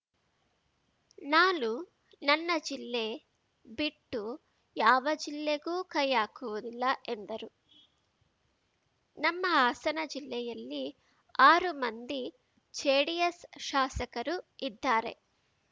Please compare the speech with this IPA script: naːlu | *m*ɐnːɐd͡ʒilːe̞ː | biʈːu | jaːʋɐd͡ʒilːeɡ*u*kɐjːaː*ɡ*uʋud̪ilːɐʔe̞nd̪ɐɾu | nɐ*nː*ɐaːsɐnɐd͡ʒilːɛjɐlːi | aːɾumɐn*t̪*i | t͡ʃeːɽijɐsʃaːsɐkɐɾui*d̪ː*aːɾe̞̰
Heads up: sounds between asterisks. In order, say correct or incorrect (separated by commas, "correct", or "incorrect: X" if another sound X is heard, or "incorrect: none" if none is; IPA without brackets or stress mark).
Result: incorrect: n, incorrect: uː, incorrect: k, incorrect: mː, incorrect: d̪, correct